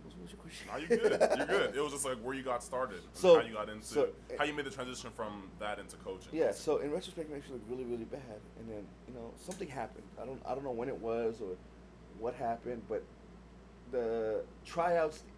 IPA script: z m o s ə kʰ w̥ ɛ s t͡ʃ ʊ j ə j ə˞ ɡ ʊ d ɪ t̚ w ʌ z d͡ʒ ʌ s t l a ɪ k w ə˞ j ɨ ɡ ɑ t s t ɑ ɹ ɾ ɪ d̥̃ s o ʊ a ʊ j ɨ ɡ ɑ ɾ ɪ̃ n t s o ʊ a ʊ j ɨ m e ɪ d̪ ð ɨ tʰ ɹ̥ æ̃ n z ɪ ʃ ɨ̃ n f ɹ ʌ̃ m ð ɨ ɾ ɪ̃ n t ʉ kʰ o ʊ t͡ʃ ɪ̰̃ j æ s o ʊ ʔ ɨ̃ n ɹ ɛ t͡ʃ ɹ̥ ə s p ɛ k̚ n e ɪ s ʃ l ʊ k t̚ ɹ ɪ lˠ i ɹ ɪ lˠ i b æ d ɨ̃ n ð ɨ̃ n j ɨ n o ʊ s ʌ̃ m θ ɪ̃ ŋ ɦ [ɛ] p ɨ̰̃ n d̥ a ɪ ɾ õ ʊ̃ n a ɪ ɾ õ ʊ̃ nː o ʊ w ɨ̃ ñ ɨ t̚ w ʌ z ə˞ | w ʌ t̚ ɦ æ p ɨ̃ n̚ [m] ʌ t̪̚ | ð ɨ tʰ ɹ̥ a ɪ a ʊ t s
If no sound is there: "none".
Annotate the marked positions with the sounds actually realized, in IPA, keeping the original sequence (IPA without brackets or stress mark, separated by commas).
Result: æ, b